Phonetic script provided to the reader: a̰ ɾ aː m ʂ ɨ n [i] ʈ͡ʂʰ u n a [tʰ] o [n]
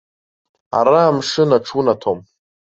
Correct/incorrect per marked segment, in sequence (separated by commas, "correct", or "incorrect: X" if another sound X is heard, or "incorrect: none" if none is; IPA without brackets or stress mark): incorrect: a, correct, incorrect: m